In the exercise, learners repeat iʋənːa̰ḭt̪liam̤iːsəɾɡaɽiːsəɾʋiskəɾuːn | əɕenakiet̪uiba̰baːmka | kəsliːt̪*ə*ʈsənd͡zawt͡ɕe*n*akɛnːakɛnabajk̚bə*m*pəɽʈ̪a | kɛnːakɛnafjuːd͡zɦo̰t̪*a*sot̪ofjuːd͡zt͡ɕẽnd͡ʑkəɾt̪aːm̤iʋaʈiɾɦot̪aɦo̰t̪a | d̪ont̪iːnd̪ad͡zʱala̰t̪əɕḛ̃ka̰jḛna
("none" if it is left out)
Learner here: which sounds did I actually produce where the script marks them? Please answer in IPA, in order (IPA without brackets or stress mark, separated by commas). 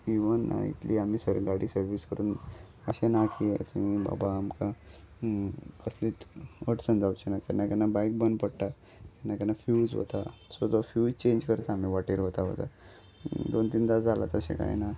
ə, n, n, a